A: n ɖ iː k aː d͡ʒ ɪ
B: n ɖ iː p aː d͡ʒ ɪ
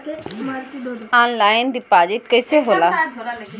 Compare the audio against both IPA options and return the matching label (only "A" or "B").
B